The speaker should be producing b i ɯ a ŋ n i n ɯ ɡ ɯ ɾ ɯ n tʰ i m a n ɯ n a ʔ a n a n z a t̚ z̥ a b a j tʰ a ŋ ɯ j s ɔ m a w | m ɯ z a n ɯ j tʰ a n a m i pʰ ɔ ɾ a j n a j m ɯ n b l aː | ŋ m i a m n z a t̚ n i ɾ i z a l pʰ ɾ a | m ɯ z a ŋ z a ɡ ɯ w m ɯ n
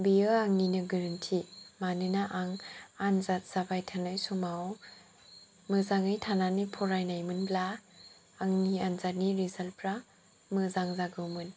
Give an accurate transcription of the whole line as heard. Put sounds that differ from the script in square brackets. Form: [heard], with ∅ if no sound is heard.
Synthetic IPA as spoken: b i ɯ a ŋ n i n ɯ ɡ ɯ ɾ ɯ n tʰ i m a n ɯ n a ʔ a [ŋ] a n z a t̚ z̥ a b a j tʰ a [n] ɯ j s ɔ m a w | m ɯ z a [ŋ] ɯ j tʰ a n a [n] i pʰ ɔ ɾ a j n a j m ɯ n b l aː | ŋ [n] i a [∅] n z a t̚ n i ɾ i z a l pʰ ɾ a | m ɯ z a ŋ z a ɡ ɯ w m ɯ n